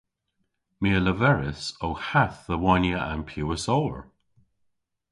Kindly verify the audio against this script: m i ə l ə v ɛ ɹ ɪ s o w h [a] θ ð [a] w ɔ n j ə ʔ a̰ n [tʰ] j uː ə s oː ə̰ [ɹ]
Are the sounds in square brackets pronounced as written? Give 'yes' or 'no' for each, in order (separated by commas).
yes, no, no, yes